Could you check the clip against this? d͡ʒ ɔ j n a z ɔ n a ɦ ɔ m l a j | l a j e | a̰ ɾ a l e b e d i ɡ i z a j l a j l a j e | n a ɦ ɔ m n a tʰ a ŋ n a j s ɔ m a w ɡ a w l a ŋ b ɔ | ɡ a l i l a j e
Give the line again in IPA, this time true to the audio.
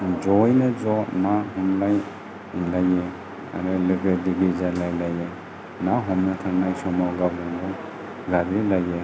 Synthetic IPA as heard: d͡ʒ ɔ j n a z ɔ n a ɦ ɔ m l a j | l a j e | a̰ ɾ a l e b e d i ɡ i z a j l a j l a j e | n a ɦ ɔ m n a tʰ a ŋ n a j s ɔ m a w ɡ a w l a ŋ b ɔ | ɡ a ɾ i l a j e

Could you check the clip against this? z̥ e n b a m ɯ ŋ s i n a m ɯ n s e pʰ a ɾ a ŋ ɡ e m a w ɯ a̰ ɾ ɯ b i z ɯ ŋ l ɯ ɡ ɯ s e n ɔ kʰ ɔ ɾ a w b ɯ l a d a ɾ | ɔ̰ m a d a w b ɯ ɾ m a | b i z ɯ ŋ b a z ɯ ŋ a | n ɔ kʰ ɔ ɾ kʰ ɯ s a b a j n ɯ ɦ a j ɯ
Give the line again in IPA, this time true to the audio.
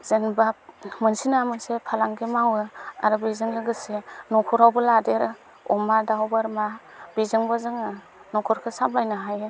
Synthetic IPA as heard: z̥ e n b a m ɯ n s i n a m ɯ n s e pʰ a l a ŋ ɡ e m a w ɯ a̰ ɾ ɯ b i z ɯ ŋ l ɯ ɡ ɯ s e n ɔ kʰ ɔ ɾ a w b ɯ l a d e ɾ | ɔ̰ m a d a w b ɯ ɾ m a | b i z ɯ ŋ b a z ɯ ŋ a | n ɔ kʰ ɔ ɾ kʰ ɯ s a b a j n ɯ ɦ a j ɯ

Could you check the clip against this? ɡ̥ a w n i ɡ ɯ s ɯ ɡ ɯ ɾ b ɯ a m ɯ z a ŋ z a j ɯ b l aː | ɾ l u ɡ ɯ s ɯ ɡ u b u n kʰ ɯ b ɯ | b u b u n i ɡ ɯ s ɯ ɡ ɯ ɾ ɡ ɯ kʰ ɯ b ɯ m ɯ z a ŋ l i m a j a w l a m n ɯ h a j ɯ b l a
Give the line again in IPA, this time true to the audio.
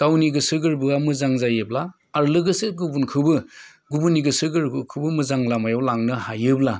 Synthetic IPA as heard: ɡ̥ a w n i ɡ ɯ s ɯ ɡ ɯ ɾ b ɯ a m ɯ z a ŋ z a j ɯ b l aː | ɾ l ɯ ɡ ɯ s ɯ ɡ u b u n kʰ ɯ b ɯ | ɡ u b u n i ɡ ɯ s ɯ ɡ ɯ ɾ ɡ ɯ kʰ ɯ b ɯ m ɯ z a ŋ l a m a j a w l a ŋ n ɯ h a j ɯ b l a

